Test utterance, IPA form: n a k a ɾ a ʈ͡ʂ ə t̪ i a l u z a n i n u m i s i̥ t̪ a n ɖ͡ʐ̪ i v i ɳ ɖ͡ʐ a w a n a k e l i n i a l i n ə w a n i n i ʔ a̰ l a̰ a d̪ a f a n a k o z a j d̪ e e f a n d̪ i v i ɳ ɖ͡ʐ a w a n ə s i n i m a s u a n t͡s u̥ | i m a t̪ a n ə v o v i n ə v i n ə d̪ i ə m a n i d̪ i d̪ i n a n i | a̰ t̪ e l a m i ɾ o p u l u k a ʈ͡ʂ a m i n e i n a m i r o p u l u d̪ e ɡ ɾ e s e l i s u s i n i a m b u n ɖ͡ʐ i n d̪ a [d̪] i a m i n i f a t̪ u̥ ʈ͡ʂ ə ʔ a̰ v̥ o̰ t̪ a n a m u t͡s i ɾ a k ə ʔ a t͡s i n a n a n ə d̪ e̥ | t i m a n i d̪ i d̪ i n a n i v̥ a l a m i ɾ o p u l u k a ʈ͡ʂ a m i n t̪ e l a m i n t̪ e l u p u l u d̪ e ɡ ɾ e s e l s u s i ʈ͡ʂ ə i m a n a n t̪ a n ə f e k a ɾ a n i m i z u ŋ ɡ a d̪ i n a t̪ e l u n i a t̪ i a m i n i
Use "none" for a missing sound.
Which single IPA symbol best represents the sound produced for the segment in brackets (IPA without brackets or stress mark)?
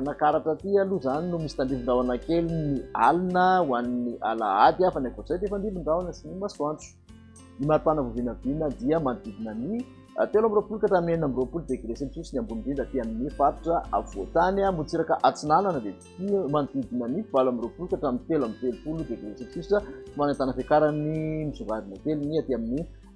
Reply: t̪